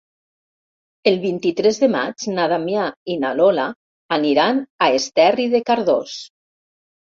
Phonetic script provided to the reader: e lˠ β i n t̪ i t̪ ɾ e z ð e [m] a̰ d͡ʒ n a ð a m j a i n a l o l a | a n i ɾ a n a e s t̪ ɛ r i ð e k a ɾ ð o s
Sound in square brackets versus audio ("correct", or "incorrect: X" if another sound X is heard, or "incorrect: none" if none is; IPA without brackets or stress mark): correct